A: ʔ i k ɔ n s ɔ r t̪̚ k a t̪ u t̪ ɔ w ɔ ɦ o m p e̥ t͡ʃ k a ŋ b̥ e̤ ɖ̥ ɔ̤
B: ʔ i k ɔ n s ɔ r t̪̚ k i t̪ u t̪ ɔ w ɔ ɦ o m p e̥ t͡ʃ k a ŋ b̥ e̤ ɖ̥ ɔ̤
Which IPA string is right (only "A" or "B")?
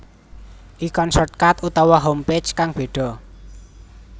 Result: A